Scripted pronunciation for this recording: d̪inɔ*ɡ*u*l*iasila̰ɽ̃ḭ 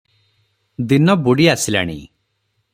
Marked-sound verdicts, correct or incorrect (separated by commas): incorrect, incorrect